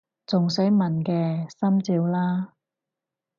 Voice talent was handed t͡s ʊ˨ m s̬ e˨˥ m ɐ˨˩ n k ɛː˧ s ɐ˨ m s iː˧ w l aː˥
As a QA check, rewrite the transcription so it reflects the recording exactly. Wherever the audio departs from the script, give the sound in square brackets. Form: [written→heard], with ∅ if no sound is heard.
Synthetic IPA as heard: t͡s ʊ˨ [m→ŋ] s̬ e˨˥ m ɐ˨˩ n k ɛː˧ s [ɐ˨→ɐ˥] m [s→t͡s] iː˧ w l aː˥